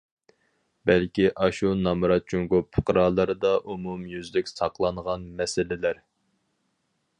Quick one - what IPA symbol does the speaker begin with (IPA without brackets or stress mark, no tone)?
b